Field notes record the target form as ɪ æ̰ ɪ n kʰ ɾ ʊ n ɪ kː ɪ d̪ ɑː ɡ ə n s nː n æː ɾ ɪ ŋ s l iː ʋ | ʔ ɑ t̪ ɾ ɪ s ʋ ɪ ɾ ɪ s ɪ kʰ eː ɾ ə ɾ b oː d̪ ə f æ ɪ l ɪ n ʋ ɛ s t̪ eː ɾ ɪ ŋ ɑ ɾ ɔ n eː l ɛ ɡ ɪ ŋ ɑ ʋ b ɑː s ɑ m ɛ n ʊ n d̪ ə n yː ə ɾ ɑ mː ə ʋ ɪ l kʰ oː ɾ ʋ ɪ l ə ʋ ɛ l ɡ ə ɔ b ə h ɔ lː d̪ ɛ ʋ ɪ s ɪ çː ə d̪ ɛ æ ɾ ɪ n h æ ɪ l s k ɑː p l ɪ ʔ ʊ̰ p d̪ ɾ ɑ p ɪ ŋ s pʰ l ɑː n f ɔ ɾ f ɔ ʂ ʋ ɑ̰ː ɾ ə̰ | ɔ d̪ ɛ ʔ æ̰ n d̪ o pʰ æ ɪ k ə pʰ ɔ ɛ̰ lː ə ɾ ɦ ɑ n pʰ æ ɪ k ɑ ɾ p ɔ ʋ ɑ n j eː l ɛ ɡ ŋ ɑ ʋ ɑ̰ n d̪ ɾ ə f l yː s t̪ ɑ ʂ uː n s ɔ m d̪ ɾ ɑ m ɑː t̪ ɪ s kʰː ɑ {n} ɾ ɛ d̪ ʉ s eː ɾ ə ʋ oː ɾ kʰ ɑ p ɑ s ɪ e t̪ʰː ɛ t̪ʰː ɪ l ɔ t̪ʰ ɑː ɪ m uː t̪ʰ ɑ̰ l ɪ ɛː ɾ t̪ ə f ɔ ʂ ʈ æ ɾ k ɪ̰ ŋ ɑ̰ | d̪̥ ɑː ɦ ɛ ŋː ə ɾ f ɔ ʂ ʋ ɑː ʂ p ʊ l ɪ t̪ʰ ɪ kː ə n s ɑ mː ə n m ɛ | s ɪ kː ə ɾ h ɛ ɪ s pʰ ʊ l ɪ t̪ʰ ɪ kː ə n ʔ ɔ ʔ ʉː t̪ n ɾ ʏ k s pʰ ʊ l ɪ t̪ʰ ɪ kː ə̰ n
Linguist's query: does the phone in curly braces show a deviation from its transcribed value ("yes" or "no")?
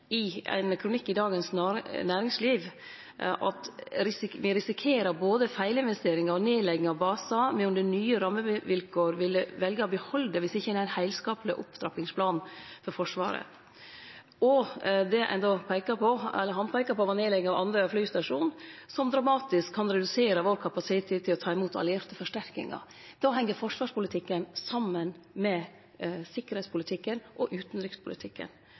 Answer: no